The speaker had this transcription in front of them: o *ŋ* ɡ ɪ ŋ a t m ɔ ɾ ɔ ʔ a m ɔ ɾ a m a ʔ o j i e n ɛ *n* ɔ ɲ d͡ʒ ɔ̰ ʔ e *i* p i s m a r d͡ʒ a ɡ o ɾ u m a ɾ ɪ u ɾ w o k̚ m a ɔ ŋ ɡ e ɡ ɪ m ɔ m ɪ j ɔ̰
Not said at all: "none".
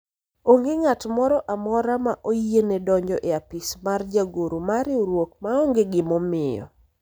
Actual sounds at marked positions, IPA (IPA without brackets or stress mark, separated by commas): ŋ, d, a